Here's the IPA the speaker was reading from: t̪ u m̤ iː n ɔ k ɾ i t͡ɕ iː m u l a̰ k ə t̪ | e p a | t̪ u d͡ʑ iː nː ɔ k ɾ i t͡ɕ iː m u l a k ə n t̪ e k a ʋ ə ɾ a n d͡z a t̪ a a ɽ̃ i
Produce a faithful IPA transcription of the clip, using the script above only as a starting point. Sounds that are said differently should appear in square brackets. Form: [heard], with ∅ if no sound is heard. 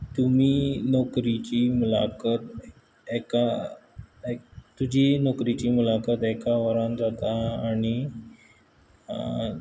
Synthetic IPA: t̪ u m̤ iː n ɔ k ɾ i t͡ɕ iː m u l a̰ k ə t̪ | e [k] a | t̪ u d͡ʑ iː [n] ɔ k ɾ i t͡ɕ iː m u l a k ə [∅] t̪ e k a ʋ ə ɾ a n d͡z a t̪ a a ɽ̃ i